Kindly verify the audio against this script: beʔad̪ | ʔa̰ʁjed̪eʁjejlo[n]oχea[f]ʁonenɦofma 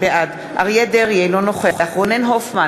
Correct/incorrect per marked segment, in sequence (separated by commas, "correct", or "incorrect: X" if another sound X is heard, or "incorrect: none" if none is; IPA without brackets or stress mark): correct, incorrect: χ